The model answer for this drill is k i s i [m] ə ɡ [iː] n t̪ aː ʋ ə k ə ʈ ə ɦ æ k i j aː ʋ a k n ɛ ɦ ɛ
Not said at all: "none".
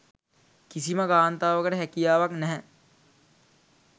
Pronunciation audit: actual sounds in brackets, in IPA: m, aː

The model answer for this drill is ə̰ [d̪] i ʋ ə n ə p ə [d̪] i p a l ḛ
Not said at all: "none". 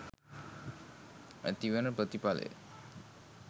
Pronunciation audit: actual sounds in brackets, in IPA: t̪, t̪

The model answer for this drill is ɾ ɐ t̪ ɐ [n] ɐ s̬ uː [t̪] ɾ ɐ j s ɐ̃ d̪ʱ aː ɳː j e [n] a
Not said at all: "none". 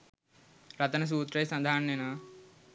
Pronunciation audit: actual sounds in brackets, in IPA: n, t̪, n

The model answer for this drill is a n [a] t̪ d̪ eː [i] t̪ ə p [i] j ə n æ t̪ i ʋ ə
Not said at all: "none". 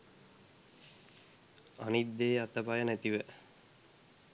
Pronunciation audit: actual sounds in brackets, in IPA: i, a, a

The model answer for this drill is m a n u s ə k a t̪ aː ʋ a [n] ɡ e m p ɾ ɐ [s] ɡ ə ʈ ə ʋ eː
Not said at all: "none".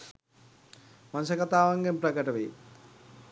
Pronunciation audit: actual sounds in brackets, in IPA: ŋ, none

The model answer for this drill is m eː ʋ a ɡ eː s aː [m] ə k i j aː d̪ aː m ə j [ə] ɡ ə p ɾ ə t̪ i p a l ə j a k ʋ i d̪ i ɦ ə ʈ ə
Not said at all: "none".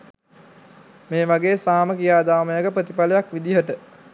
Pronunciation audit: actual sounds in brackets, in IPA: m, ə

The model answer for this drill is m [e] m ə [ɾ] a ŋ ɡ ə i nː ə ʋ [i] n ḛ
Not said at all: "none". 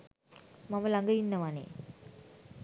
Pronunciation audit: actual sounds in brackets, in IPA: a, l, a

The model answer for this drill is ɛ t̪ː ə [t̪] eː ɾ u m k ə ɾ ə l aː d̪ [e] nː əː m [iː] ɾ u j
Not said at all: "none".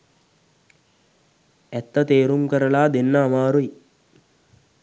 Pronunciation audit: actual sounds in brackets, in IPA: t̪, e, aː

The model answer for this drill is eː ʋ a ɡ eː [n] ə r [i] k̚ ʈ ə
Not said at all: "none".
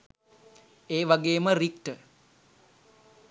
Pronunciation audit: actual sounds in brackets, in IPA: m, i

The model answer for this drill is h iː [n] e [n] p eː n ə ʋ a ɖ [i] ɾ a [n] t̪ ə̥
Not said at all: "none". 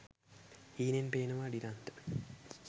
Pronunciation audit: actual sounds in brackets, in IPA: n, n, i, n

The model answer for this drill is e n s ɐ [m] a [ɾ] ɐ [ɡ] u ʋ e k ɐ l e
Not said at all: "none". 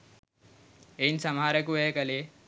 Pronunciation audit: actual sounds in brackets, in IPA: m, ɾ, k

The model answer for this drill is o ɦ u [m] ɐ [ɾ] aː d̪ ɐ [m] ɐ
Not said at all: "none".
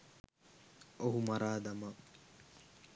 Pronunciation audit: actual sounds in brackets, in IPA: m, ɾ, m

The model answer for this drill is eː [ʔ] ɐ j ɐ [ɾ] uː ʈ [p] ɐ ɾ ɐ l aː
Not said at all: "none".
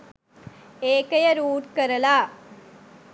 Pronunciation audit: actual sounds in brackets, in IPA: k, ɾ, k

